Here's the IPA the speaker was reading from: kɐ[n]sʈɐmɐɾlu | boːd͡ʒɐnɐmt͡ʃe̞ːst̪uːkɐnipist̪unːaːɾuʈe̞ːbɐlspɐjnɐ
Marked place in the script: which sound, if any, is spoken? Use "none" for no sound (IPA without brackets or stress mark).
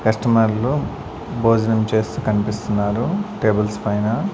none